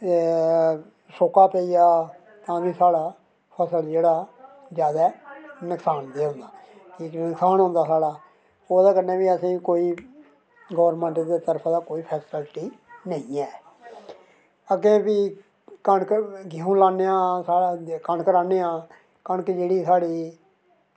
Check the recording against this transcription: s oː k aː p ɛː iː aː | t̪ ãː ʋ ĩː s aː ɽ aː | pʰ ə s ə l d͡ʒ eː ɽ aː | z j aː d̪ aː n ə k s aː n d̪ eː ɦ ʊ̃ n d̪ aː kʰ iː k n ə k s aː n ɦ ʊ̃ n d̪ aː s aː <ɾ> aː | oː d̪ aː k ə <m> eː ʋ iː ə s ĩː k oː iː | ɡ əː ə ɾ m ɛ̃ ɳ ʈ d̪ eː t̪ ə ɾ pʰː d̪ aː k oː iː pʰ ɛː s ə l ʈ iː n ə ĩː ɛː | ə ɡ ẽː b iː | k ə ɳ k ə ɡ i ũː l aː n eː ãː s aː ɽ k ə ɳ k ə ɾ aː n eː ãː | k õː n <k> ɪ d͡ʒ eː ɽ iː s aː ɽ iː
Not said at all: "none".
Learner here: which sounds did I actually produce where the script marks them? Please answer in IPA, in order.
ɽ, n, k

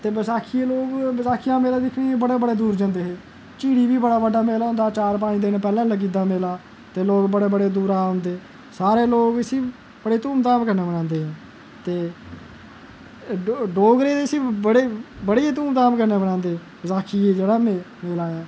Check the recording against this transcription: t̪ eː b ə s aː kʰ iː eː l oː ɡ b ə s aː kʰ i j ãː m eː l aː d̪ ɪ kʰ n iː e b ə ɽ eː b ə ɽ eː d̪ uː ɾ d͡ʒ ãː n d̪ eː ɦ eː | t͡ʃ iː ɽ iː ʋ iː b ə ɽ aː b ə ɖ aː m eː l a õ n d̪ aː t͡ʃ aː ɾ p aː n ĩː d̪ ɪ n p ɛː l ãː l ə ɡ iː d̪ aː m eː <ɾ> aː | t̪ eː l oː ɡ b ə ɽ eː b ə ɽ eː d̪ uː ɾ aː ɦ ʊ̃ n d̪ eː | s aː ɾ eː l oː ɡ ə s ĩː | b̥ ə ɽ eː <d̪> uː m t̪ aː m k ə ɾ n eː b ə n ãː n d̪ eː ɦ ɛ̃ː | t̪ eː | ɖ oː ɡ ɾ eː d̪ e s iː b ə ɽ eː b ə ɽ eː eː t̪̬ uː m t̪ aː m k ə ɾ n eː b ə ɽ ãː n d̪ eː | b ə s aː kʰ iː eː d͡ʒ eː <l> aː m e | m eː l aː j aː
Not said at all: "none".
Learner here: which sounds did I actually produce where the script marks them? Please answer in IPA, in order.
l, t̪, ɽ

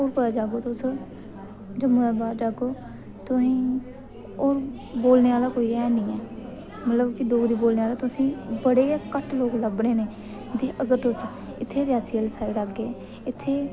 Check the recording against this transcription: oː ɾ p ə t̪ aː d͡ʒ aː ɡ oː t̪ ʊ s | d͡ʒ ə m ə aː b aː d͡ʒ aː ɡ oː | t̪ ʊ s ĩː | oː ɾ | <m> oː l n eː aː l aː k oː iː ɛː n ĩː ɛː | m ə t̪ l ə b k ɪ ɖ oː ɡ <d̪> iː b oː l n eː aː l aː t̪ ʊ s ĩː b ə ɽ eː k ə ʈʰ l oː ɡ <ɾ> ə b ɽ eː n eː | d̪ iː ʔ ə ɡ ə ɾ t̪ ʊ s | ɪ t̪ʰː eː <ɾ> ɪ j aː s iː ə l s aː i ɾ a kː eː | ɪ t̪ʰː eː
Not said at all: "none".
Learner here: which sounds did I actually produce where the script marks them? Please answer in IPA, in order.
b, d̪, l, ɾ

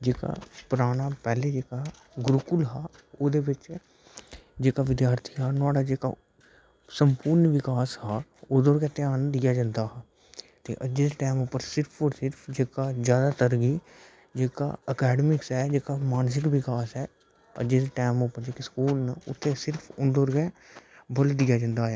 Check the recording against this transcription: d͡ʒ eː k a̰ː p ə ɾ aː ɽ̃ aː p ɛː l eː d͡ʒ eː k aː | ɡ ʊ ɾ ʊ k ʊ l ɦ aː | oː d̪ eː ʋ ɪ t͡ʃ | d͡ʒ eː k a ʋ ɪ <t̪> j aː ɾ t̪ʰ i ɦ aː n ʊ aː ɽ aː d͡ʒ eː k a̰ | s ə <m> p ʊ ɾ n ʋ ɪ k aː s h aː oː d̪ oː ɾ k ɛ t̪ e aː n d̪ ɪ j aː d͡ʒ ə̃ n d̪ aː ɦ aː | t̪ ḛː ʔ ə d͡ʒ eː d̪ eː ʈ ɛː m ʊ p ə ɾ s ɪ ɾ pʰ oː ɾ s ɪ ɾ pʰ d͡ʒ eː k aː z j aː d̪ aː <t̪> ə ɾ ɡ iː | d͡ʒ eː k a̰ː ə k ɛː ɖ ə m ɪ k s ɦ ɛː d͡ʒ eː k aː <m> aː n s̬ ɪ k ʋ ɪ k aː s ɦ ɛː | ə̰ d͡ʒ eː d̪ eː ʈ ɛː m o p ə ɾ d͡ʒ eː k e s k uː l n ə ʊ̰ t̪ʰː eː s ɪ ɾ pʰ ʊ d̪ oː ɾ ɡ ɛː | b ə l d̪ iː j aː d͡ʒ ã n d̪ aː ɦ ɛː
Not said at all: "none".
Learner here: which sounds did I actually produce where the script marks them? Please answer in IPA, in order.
d̪, m, t̪, m

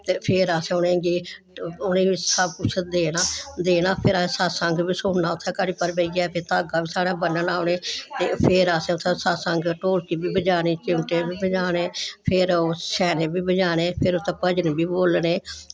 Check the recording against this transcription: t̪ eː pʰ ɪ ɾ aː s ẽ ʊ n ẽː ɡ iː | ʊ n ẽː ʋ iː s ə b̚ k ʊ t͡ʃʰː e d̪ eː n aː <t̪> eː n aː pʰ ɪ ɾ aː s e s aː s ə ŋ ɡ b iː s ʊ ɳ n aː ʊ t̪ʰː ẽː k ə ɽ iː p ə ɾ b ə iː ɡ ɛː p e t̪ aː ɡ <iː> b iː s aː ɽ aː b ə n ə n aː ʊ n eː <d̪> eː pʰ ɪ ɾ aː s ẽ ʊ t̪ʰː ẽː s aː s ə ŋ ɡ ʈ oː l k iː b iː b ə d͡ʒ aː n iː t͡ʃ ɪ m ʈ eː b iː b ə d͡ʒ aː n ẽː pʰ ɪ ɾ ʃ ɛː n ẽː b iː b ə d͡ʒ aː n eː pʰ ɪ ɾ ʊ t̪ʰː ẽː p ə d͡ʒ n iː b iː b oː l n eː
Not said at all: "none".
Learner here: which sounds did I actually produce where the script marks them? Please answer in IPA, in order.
d̪, aː, t̪

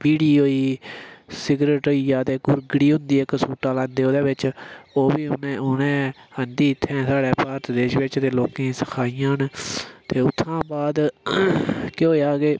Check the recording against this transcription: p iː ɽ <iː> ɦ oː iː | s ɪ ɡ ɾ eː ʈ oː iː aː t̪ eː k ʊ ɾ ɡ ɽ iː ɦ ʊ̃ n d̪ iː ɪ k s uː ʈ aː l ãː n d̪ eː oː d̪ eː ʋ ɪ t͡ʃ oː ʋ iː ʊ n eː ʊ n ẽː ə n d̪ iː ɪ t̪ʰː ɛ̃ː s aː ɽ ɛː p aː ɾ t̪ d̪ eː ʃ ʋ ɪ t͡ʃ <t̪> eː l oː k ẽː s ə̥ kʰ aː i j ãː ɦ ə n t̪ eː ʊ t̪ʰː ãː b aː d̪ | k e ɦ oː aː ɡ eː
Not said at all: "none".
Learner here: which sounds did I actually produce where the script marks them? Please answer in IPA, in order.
iː, t̪

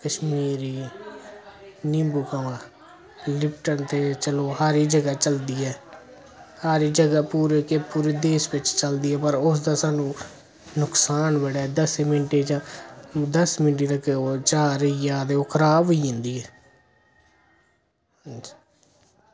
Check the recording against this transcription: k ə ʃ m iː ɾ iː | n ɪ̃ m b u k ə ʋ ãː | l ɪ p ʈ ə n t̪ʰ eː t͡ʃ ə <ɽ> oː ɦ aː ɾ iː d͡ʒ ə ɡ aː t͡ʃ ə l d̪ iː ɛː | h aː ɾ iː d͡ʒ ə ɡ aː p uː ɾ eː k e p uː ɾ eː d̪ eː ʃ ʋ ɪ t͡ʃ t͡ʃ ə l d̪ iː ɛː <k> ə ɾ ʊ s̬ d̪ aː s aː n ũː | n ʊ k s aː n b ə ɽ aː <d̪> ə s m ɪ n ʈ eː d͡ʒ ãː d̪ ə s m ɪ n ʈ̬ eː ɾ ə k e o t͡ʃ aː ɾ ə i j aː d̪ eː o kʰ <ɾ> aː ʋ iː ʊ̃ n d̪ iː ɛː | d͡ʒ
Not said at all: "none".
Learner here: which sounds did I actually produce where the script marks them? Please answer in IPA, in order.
l, p, d̪, ɾ

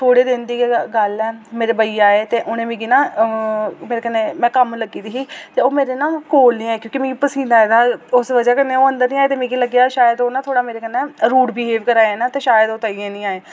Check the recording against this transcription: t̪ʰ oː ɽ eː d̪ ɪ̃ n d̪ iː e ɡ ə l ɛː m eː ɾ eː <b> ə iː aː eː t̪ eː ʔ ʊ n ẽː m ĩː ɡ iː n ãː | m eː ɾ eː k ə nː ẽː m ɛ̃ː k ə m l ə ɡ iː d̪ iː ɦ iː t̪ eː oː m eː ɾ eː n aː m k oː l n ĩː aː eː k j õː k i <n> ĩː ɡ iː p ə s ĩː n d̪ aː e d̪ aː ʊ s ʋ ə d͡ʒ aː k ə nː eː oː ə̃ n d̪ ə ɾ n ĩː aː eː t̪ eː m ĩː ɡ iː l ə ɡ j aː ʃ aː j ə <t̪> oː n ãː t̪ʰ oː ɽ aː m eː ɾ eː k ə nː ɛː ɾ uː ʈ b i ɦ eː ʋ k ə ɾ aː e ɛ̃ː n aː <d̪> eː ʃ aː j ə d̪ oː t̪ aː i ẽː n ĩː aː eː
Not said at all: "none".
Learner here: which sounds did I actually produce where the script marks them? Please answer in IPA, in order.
b, m, d̪, t̪

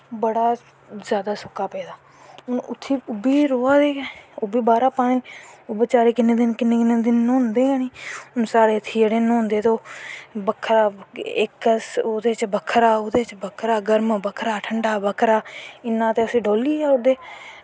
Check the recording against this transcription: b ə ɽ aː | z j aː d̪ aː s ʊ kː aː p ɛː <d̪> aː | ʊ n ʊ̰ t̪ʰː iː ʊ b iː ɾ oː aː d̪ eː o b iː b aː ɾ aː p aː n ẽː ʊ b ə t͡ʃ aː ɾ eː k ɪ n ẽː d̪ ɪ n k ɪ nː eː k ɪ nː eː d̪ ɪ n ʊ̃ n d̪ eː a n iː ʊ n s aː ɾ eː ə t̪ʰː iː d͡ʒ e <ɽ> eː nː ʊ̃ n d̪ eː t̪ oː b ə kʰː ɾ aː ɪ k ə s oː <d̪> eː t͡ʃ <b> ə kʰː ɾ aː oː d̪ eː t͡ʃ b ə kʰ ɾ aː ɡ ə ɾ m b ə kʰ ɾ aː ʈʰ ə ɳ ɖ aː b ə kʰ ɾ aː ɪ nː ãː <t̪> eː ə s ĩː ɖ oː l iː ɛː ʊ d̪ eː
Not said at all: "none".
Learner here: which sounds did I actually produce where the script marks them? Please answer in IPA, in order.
d̪, ɽ, d̪, b, t̪

